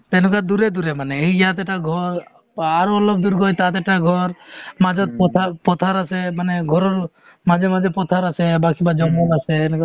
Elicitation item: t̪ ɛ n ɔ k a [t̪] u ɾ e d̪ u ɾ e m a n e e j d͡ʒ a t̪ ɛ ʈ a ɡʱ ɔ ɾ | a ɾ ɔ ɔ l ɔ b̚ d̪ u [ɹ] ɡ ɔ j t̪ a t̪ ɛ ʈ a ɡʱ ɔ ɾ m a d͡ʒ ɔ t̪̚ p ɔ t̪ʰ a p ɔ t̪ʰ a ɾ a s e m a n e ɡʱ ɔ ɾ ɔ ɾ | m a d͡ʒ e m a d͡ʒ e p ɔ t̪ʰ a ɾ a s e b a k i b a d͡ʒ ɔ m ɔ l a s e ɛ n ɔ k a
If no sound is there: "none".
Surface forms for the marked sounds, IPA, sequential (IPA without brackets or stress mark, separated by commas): d̪, ɾ